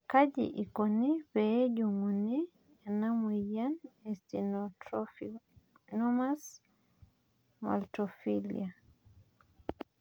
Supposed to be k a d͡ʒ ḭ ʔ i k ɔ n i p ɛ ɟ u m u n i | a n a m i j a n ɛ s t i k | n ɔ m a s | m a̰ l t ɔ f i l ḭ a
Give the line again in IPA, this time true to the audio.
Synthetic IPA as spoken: k a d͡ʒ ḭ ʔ i k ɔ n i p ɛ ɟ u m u n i | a n a m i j a n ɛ s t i | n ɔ m a s | m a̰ l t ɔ f i l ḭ a